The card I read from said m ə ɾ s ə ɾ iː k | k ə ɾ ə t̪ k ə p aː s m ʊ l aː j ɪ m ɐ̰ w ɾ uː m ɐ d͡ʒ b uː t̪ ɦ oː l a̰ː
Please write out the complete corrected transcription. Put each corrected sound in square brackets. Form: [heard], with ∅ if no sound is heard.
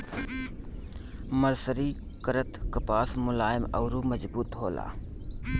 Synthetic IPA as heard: m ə ɾ s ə ɾ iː [∅] | k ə ɾ ə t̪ k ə p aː s m ʊ l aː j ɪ m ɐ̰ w ɾ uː m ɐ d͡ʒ b uː t̪ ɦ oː l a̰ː